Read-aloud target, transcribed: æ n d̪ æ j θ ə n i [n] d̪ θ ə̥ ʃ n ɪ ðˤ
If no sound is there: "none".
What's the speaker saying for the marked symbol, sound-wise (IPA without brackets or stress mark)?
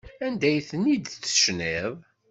none